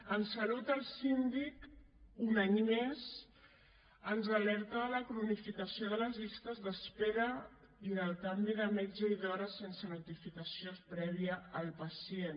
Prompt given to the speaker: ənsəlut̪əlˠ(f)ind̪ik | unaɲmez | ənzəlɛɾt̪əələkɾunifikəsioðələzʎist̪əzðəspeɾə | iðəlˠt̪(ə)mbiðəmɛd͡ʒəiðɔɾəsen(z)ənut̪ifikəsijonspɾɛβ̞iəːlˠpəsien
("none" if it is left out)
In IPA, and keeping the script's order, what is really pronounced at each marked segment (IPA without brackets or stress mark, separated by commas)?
s, a, s